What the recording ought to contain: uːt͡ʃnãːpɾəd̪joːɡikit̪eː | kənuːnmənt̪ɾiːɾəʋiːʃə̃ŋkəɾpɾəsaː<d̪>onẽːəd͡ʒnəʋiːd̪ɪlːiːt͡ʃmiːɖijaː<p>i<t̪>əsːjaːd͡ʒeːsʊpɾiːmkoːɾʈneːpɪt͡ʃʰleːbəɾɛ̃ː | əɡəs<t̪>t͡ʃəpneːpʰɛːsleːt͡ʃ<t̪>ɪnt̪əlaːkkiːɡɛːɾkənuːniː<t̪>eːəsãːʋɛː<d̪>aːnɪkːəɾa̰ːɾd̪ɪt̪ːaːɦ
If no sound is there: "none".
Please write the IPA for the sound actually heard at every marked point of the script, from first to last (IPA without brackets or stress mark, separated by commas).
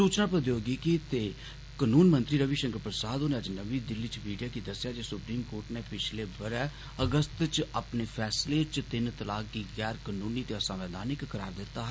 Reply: d̪, k, d̪, t̪, t̪, t̪, d̪